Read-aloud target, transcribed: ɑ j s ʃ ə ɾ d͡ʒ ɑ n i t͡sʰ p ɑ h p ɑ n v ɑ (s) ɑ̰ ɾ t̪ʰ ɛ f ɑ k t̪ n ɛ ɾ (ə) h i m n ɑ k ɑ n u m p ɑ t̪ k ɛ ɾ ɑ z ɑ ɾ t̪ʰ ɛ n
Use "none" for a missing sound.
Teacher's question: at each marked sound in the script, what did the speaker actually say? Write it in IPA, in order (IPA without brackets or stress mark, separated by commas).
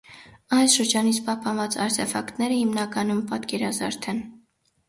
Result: t͡s, ə